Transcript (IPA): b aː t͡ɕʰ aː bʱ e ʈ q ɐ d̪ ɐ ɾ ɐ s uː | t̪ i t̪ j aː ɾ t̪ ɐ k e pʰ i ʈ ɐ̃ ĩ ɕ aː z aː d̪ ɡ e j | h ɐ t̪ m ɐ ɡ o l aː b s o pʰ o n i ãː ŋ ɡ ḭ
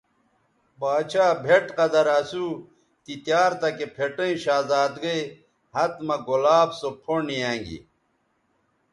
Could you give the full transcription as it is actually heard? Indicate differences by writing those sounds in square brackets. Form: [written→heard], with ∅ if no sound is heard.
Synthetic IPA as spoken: b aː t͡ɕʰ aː bʱ e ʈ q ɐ d̪ ɐ ɾ ɐ s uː | t̪ i t̪ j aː ɾ t̪ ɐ k e pʰ [i→e] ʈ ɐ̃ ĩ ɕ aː z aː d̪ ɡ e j | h ɐ t̪ m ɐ ɡ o l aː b s o pʰ o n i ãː ŋ ɡ ḭ